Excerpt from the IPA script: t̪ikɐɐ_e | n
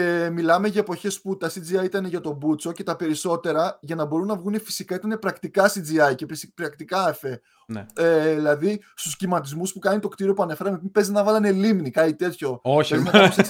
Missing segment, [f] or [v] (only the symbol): f